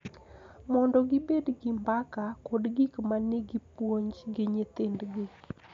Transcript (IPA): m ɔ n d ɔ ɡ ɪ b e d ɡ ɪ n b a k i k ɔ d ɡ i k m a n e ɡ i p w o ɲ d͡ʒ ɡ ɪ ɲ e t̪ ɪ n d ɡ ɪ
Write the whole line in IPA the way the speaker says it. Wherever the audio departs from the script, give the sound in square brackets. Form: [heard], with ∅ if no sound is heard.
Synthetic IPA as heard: m ɔ n d ɔ ɡ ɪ b e d ɡ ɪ [m] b a k [a] k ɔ d ɡ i k m a n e ɡ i p w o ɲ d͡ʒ ɡ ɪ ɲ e t̪ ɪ n d ɡ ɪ